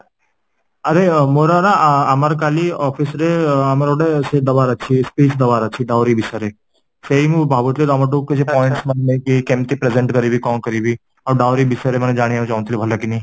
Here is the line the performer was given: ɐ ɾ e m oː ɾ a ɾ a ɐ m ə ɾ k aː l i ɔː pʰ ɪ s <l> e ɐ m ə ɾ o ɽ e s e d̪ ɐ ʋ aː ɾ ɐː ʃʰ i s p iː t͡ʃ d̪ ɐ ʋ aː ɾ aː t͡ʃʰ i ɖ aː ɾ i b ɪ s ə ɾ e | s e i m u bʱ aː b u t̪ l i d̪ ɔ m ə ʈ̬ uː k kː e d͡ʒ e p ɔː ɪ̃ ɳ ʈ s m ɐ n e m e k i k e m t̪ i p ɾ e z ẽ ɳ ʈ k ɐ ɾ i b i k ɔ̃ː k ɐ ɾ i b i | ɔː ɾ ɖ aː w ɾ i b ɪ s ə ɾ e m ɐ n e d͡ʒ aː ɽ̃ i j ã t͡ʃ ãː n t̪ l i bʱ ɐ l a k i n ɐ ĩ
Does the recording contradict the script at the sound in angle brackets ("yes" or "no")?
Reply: yes